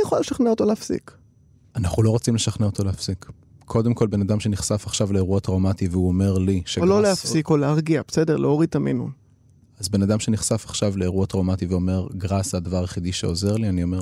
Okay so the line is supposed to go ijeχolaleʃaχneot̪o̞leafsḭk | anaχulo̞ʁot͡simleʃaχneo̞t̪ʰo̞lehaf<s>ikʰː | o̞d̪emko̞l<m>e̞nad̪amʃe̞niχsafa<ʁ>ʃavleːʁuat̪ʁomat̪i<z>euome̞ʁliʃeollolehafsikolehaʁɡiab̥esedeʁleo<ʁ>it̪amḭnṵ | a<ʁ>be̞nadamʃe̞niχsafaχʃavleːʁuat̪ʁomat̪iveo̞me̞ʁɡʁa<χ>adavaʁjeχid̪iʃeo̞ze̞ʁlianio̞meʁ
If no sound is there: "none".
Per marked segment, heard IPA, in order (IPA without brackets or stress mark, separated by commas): s, b, χ, v, ʁ, z, s